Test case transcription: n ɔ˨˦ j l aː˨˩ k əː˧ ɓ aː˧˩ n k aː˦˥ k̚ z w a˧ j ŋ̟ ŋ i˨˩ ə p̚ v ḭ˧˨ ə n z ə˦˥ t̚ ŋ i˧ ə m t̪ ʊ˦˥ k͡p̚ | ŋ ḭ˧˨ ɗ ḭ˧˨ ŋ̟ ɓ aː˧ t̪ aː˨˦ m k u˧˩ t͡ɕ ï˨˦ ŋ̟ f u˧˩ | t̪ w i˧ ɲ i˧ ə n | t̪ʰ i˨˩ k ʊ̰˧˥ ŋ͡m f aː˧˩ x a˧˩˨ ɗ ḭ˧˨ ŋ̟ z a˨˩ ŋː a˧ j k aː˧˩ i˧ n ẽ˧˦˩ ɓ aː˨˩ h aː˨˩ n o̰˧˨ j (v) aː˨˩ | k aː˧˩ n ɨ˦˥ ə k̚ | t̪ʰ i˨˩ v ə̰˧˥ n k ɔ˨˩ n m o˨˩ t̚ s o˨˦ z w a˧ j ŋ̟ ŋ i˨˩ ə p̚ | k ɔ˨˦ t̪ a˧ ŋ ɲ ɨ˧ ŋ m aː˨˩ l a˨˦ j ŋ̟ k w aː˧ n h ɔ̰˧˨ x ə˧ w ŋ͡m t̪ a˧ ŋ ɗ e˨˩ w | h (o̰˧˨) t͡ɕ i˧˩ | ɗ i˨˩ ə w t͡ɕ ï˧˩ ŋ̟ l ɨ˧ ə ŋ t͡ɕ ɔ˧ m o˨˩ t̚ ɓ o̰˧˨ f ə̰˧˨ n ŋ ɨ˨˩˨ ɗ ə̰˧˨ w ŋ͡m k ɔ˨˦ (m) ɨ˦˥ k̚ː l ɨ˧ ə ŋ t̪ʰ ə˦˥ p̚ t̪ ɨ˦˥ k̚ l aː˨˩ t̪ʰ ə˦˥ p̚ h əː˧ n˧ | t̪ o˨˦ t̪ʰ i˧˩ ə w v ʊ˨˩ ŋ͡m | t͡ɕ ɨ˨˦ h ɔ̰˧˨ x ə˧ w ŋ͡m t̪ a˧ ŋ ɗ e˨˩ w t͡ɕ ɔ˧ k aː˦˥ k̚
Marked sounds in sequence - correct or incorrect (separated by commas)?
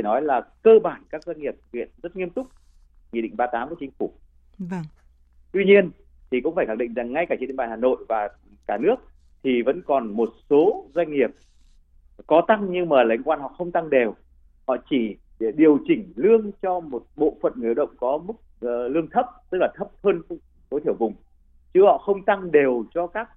correct, incorrect, correct